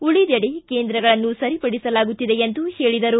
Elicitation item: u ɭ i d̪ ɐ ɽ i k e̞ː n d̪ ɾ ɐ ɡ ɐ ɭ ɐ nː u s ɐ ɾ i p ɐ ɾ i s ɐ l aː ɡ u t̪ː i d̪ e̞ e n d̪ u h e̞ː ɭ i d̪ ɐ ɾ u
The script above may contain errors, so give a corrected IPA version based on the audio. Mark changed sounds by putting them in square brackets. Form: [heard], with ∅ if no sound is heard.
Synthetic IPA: u ɭ i d̪ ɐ ɽ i k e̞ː n d̪ ɾ ɐ ɡ ɐ ɭ ɐ nː u s ɐ ɾ i p ɐ [ɽ] i s ɐ l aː ɡ u t̪ː i d̪ e̞ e n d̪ u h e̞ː ɭ i d̪ ɐ ɾ u